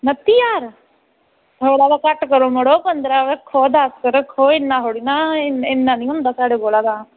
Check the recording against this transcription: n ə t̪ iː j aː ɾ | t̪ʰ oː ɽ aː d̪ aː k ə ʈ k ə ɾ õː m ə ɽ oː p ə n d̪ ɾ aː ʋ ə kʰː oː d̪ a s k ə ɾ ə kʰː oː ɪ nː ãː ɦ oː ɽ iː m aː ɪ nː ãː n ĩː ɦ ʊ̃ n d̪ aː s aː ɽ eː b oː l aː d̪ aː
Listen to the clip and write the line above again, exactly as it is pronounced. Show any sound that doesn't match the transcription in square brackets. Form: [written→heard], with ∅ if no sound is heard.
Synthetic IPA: n ə t̪ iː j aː ɾ | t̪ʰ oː ɽ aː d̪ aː k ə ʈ k ə ɾ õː m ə ɽ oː p ə n d̪ ɾ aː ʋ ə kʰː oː d̪ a s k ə ɾ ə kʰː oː ɪ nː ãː ɦ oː ɽ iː [m→n] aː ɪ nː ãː n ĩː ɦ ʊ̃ n d̪ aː s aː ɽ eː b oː l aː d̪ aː